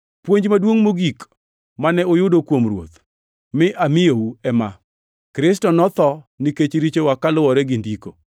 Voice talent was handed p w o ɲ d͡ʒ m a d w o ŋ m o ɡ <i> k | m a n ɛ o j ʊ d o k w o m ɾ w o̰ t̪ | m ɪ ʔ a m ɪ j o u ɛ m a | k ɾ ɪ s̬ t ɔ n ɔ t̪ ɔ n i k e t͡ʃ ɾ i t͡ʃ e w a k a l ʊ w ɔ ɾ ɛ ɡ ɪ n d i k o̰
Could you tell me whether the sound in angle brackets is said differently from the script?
no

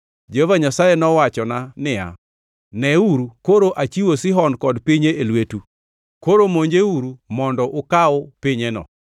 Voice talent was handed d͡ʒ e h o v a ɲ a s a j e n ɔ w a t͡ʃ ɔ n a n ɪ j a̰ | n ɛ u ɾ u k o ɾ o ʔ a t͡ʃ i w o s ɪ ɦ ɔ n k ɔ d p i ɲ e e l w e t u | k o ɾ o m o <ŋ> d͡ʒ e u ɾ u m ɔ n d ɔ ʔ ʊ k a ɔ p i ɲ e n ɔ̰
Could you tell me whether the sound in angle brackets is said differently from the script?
yes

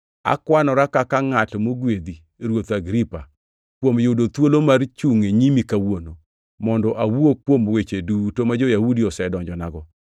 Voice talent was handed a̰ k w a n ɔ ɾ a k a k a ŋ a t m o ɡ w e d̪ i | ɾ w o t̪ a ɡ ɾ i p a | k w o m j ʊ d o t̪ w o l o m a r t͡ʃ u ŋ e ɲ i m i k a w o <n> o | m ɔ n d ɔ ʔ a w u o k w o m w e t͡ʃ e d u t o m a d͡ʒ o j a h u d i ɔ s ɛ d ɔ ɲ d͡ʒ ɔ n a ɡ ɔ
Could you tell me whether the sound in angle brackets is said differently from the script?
no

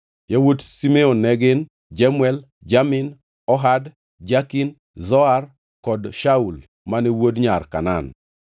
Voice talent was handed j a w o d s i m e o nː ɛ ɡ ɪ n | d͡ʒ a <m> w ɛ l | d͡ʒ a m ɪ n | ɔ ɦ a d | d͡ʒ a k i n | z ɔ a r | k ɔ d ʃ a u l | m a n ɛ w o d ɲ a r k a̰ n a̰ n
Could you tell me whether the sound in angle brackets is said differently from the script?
no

